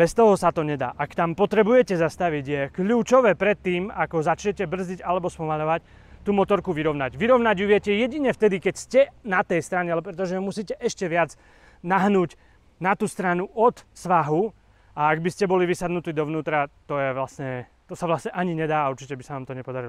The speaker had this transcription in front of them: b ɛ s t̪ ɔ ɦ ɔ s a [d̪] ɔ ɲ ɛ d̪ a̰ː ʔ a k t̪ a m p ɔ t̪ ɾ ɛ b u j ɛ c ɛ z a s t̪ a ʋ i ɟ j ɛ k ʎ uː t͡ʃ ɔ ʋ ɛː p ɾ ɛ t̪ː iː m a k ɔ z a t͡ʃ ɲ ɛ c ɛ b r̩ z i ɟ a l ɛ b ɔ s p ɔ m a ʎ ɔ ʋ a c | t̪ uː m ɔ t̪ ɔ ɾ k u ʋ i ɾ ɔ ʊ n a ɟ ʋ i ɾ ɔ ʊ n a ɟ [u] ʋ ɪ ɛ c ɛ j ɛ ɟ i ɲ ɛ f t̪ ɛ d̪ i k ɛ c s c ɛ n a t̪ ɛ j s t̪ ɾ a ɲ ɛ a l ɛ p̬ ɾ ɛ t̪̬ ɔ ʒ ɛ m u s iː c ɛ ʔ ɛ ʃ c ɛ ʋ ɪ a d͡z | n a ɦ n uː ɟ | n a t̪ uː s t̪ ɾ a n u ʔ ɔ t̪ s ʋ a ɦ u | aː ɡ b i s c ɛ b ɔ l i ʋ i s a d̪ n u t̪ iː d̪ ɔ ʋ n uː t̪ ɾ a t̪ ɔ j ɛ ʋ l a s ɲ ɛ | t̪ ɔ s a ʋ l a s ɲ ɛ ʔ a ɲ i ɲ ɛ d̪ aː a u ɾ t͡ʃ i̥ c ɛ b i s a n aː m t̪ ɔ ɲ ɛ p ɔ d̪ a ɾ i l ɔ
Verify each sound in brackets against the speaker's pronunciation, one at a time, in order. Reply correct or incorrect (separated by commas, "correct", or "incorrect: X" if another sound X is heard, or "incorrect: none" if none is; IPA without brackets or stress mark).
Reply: incorrect: t̪, correct